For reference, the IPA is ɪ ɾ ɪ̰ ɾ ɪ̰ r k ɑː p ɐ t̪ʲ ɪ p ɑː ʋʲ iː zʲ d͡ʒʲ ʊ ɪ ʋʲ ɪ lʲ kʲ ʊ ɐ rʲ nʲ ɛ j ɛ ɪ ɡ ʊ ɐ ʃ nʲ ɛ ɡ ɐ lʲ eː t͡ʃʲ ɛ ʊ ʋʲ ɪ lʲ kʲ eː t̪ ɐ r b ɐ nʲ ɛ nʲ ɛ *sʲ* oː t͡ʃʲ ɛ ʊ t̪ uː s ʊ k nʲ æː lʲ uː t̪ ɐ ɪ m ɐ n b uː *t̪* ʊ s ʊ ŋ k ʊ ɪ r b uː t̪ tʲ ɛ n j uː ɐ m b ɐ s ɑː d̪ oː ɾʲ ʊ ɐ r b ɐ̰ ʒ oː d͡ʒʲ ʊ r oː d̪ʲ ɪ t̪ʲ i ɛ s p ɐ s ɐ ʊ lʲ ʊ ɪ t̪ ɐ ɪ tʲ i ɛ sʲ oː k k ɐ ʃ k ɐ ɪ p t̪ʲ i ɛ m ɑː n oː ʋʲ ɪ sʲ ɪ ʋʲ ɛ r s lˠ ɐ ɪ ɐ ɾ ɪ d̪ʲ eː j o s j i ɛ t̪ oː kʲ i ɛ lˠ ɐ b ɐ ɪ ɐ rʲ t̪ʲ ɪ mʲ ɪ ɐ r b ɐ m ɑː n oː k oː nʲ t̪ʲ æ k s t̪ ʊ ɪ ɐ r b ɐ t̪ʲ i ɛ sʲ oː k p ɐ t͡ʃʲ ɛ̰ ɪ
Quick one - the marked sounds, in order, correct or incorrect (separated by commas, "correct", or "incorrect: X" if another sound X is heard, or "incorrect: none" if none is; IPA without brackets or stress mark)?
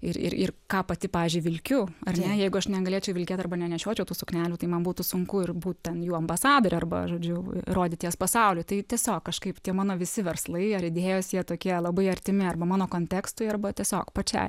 incorrect: ʃʲ, correct